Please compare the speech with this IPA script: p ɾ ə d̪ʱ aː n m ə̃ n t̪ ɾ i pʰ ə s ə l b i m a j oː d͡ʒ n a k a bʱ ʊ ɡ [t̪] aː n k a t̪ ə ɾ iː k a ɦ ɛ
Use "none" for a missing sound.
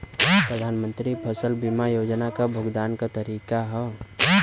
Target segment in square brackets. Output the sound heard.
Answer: d̪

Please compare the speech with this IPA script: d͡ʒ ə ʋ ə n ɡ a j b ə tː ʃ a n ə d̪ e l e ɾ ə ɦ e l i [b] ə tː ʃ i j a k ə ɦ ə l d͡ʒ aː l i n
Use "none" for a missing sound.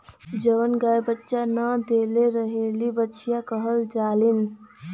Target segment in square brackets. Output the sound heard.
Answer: b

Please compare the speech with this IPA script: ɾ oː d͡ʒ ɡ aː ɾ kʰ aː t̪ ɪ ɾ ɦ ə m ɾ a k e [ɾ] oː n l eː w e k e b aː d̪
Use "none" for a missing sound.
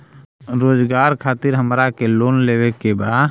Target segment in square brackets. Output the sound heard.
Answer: l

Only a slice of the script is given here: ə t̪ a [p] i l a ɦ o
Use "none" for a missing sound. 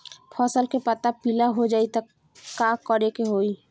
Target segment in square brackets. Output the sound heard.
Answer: p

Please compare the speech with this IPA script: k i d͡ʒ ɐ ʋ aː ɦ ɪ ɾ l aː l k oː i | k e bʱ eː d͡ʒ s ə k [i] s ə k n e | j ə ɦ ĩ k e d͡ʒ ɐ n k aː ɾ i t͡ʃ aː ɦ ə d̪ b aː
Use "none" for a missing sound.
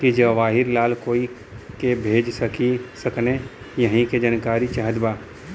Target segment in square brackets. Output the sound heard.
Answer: i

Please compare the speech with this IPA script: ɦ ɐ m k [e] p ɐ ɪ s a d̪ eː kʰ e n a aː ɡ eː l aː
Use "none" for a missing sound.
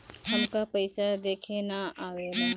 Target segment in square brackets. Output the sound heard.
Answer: a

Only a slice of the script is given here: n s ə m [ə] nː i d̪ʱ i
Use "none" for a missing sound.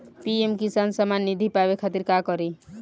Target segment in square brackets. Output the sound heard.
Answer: a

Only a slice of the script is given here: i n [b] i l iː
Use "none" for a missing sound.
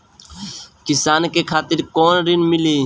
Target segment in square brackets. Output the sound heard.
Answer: m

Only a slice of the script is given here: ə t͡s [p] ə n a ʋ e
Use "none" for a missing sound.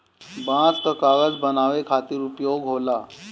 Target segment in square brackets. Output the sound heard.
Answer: b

